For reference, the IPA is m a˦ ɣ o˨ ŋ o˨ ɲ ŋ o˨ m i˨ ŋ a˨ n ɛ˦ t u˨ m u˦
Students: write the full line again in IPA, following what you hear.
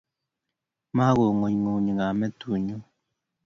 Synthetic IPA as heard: m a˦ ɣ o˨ ŋ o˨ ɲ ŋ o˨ ɲ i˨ ŋ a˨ m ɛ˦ t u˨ ɲ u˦